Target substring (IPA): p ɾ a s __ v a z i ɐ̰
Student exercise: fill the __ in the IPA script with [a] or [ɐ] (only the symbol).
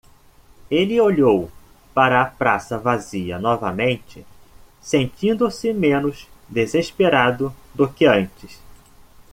ɐ